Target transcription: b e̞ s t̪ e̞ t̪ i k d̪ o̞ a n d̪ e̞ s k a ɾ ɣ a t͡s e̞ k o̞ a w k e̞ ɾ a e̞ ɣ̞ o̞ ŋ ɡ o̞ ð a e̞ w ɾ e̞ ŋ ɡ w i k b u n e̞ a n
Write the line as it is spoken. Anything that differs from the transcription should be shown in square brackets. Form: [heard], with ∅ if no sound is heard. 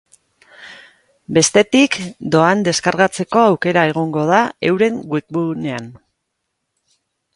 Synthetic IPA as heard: b e̞ s t̪ e̞ t̪ i k d̪ o̞ a n d̪ e̞ s k a ɾ ɣ a t͡s e̞ k o̞ a w k e̞ ɾ a e̞ ɣ̞ o̞ ŋ ɡ o̞ ð a e̞ w ɾ e̞ ŋ ɡ w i k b u n e̞ a n